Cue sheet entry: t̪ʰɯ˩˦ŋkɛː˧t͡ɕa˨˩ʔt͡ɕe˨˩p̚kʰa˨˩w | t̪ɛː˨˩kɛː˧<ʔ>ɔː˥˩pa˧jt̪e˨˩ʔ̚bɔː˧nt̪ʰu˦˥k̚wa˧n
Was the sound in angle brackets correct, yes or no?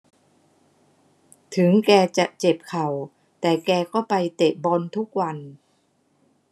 no